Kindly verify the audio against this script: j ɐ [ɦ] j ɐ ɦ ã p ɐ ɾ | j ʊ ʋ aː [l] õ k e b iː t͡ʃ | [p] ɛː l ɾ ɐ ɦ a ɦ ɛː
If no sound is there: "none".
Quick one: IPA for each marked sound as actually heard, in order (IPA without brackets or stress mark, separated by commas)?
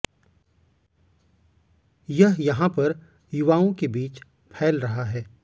ɦ, none, pʰ